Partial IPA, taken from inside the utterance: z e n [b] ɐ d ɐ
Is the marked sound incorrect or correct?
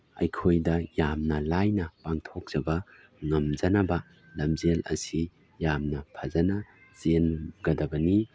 incorrect